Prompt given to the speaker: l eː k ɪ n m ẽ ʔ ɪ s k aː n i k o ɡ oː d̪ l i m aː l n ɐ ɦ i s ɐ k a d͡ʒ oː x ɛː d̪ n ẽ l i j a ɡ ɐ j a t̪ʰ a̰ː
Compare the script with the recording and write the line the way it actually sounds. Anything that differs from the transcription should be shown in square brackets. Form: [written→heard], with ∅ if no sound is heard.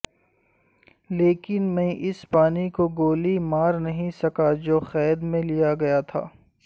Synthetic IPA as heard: l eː k ɪ n m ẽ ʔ ɪ s [k→p] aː n i k o ɡ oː [d̪→∅] l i m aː [l→ɾ] n ɐ ɦ [i→ĩ] s ɐ k a d͡ʒ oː x ɛː d̪ [n→m] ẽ l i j a ɡ ɐ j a t̪ʰ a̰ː